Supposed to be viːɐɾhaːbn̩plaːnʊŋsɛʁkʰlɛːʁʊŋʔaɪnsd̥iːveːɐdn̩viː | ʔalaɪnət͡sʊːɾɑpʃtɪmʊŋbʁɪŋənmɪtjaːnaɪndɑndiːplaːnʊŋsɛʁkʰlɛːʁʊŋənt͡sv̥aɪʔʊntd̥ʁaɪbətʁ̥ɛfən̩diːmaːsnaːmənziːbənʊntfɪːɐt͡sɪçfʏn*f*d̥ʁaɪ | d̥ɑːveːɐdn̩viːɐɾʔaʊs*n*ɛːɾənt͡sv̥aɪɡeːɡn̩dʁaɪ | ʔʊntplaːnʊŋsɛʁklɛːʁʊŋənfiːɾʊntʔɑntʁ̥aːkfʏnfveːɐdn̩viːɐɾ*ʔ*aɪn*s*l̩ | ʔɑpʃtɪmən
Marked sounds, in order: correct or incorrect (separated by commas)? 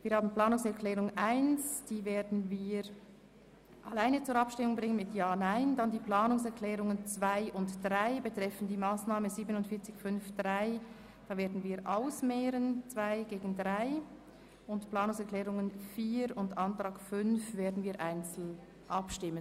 correct, incorrect, correct, incorrect